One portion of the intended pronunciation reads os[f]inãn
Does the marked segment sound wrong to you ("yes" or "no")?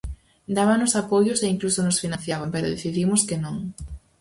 no